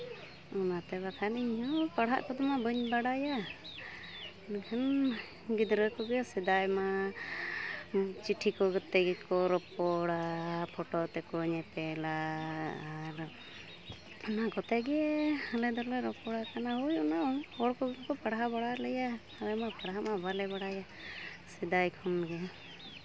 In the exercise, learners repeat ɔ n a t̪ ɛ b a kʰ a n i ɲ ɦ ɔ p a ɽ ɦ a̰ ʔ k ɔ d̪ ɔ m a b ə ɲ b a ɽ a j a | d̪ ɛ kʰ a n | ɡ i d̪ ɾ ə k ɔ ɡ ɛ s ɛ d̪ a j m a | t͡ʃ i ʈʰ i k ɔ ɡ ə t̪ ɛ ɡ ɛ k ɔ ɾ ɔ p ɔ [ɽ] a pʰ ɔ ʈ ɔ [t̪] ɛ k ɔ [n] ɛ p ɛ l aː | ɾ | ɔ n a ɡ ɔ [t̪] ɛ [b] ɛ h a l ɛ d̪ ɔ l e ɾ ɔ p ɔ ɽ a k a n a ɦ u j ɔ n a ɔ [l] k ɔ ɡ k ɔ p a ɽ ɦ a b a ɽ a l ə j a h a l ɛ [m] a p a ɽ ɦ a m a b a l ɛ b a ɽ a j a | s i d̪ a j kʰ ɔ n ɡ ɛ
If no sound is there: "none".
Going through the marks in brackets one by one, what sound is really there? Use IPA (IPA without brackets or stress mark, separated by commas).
ɽ, t̪, ɲ, t̪, ɡ, ɽ, m